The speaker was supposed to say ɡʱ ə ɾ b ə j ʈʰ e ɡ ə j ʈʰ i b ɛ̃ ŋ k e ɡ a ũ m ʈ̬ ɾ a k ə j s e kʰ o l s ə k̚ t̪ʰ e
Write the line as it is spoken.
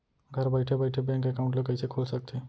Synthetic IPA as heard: ɡʱ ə ɾ b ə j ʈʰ e b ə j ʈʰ e b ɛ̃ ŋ k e k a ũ ɳ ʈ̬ l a k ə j s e kʰ o l s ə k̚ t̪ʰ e